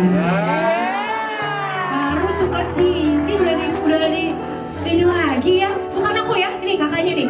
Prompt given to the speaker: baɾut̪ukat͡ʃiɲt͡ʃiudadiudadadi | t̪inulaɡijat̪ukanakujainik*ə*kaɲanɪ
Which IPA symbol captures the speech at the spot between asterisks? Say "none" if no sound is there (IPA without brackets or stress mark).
a